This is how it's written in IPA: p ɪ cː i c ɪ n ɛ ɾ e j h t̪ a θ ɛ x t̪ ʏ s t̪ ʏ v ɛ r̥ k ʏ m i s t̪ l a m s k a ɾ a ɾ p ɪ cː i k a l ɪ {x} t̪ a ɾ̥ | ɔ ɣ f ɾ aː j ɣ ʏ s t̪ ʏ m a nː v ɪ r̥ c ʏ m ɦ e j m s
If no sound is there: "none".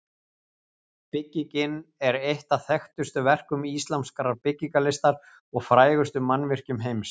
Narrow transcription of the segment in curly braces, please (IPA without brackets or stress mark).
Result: s